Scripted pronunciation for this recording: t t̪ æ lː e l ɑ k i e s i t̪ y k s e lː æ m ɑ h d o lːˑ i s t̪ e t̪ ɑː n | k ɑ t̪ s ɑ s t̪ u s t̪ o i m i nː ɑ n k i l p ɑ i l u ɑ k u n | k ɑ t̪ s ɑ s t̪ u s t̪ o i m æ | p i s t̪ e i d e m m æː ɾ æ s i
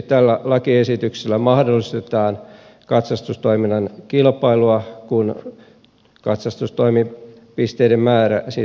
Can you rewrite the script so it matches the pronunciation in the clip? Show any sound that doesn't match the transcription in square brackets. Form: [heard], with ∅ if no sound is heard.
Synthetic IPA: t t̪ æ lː [æ] l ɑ k i e s i t̪ y k s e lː æ m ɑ h d o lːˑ i s t̪ e t̪ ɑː n | k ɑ t̪ s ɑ s t̪ u s t̪ o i m i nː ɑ n k i l p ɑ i l u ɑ k u n | k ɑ t̪ s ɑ s t̪ u s t̪ o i m [i] | p i s t̪ e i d e m m æː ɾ æ s i